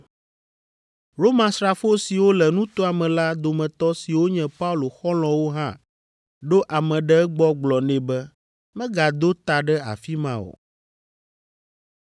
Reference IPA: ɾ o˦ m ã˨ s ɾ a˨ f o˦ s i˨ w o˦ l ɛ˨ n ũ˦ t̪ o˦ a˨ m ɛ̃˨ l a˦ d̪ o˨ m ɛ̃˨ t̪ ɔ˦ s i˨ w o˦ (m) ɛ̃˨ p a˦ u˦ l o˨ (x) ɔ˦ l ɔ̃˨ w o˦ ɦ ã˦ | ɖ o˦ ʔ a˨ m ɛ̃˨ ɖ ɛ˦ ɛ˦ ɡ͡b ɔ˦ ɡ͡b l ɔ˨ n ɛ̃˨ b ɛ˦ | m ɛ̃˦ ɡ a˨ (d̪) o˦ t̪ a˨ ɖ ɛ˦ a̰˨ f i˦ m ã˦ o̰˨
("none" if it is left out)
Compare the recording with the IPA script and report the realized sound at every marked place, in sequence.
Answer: ɲ, x, d̪

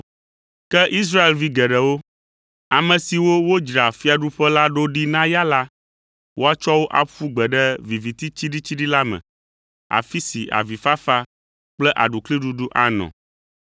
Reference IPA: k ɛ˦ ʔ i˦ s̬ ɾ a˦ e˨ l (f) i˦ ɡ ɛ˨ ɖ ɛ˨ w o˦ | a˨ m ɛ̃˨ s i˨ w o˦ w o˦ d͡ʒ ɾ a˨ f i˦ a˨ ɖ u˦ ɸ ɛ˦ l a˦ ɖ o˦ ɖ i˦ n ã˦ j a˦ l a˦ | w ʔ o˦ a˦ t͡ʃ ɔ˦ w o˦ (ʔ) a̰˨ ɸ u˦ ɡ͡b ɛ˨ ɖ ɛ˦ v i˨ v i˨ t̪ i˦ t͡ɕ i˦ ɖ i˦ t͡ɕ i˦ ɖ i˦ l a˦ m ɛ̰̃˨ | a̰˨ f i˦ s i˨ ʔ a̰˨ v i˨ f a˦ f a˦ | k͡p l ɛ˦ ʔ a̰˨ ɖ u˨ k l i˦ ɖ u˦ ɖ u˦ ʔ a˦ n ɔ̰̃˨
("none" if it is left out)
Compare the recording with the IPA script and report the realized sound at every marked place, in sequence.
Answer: v, ʔ

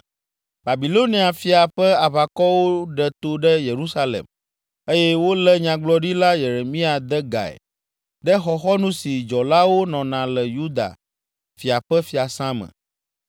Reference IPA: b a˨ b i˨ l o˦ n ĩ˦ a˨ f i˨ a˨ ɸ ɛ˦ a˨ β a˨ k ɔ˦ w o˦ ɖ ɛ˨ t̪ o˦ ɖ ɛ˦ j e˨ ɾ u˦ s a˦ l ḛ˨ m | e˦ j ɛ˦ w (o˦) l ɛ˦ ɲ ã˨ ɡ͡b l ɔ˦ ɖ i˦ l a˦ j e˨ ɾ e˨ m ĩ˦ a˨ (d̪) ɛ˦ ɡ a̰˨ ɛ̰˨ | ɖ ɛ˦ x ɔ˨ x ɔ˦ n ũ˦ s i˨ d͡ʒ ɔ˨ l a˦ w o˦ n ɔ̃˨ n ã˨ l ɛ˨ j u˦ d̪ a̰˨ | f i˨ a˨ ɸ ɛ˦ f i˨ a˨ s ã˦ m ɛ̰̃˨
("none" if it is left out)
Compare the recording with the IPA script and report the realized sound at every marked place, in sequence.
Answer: o˦, d̪

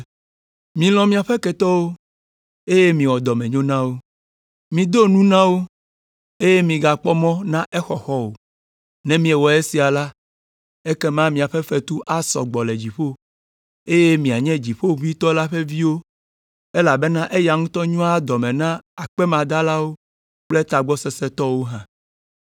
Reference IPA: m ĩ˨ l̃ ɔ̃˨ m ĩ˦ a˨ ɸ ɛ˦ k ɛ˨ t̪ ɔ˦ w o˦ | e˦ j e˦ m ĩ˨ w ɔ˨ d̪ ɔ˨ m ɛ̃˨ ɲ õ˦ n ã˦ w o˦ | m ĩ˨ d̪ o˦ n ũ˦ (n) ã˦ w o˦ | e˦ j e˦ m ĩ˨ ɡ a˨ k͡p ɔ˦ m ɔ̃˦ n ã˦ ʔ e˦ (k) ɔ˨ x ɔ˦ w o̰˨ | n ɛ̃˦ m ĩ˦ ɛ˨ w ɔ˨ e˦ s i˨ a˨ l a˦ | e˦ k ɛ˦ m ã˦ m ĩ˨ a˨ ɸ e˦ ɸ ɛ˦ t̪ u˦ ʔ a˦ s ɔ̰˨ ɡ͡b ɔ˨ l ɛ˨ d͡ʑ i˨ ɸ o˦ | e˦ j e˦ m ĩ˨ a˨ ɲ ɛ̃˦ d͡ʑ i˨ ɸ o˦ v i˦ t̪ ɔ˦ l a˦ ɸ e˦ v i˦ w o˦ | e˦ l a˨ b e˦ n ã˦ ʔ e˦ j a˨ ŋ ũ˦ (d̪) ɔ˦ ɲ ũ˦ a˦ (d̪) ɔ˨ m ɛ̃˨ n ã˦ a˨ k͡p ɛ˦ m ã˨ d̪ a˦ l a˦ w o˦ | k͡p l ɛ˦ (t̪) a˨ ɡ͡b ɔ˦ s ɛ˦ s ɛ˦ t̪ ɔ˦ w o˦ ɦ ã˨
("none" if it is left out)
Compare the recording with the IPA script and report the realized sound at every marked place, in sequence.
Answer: n, x, t̪, d̪, t̪

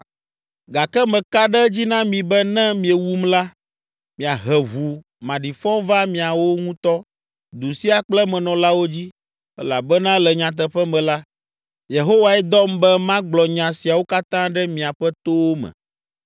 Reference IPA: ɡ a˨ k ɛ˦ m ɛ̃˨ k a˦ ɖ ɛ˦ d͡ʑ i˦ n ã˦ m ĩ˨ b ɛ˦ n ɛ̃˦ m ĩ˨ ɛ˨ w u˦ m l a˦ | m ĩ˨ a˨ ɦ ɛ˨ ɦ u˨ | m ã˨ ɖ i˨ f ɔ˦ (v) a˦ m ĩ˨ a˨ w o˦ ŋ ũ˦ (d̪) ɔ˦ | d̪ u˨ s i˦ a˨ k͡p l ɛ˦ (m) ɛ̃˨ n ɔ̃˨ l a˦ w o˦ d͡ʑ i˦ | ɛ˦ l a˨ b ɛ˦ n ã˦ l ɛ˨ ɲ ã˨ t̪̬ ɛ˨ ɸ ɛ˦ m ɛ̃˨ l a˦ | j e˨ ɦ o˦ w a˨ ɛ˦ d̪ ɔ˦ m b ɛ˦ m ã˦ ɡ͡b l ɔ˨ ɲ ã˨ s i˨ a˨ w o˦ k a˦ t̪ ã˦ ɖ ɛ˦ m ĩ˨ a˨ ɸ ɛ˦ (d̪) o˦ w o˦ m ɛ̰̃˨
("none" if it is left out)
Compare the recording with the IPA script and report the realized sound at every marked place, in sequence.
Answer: v, t̪, m, t̪

